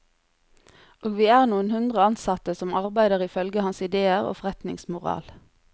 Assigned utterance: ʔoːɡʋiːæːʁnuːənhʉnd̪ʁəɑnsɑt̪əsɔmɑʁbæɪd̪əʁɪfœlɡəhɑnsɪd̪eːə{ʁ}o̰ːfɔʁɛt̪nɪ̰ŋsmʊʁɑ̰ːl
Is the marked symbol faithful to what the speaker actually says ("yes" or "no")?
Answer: yes